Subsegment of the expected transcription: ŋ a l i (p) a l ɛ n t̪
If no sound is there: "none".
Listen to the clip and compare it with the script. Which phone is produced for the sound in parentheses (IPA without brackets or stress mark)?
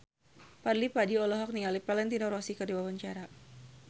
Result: p